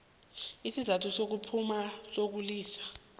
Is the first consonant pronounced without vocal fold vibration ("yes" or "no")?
yes